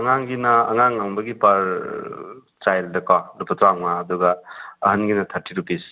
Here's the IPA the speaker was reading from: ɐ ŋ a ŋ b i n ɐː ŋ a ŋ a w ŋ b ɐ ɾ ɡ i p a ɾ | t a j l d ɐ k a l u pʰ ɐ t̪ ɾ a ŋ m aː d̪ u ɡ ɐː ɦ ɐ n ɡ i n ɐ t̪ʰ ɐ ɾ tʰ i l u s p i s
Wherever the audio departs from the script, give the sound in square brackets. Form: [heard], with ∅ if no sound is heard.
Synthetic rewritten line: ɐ ŋ a ŋ [ɡ] i n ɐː ŋ a ŋ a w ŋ b ɐ [∅] ɡ i p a ɾ | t a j l d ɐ k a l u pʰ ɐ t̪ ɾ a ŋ m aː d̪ u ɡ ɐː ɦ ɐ n ɡ i n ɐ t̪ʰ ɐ ɾ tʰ i [ɾ] u [∅] p i s